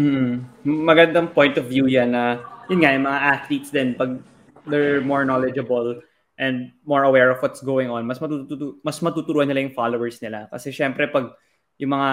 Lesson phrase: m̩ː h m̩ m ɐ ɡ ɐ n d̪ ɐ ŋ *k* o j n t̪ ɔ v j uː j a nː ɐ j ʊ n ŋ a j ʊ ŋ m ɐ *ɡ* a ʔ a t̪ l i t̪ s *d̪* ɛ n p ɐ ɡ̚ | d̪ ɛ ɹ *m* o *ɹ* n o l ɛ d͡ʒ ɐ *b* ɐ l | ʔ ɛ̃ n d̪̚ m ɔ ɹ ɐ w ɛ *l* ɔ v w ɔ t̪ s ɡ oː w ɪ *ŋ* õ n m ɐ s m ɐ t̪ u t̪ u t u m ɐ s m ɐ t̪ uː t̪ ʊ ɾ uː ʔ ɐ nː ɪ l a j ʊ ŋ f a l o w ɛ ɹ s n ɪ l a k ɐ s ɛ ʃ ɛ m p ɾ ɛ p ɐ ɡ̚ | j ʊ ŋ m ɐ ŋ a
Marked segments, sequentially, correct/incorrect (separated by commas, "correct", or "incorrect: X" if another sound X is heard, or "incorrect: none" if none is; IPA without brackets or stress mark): incorrect: p, incorrect: ŋ, correct, correct, correct, correct, incorrect: ɹ, correct